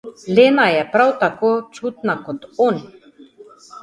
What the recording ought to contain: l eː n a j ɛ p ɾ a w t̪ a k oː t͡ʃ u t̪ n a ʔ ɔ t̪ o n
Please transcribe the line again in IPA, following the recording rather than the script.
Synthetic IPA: l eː n a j ɛ p ɾ a w t̪ a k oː t͡ʃ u t̪ n a k ɔ t̪ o n